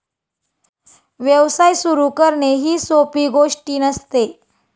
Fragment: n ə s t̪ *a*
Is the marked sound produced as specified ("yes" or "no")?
no